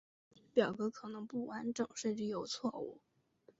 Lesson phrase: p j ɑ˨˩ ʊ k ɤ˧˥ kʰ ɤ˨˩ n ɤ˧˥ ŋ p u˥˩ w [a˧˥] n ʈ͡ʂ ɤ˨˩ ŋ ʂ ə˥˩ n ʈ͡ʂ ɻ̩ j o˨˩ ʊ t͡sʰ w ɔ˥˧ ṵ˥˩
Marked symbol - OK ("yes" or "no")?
yes